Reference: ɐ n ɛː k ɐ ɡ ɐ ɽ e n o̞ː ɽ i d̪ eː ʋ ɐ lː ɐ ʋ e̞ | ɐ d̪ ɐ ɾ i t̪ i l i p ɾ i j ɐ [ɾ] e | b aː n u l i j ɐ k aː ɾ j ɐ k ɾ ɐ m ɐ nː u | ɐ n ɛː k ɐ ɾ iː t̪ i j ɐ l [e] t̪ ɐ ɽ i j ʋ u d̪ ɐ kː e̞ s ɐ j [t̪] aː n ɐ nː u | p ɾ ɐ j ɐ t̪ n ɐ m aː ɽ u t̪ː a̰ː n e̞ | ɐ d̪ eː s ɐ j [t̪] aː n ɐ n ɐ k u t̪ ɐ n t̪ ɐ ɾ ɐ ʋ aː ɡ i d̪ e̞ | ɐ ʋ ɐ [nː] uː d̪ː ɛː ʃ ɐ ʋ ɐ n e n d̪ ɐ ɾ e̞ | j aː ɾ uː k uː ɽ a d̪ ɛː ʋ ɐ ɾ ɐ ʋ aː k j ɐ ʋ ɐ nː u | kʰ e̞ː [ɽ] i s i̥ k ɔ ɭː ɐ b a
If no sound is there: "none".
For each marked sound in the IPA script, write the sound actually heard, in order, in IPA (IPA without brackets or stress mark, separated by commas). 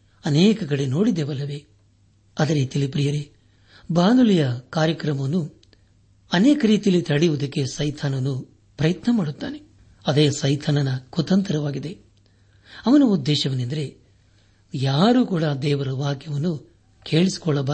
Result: ɾ, i, t̪ʰ, t̪ʰ, n, ɭ